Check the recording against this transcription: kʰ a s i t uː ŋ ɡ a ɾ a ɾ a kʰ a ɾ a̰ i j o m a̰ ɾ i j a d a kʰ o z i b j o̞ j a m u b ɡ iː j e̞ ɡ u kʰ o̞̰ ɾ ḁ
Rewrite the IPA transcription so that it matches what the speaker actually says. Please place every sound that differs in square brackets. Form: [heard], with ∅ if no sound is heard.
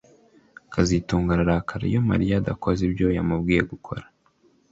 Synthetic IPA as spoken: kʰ a [z] i t uː ŋ ɡ a ɾ a ɾ a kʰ a ɾ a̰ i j o m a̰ ɾ i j a d a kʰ o z i b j o̞ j a m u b ɡ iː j e̞ ɡ u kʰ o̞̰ ɾ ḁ

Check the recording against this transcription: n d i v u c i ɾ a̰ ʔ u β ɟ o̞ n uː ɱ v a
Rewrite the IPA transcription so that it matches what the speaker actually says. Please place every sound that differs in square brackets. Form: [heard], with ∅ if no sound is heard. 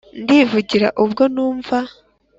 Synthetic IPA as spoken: n d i v u [ɟ] i ɾ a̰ ʔ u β [ɡ] o̞ n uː ɱ v a

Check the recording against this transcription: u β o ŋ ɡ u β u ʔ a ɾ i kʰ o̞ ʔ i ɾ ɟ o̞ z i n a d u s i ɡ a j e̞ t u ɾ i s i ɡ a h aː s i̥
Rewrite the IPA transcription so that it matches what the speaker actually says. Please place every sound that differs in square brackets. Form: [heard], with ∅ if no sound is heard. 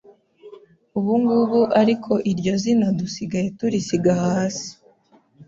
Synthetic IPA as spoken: u β [u] ŋ ɡ u β u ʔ a ɾ i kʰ o̞ ʔ i ɾ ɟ o̞ z i n a d u s i ɡ a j e̞ t u ɾ i s i ɡ a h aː s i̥

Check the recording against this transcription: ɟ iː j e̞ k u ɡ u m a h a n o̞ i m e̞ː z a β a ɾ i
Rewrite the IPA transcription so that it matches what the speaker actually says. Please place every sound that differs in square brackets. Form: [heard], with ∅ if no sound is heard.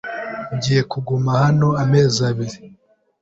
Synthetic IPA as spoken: ɟ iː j e̞ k u ɡ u m a h a n o̞ [a] m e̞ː z a β [i] ɾ i

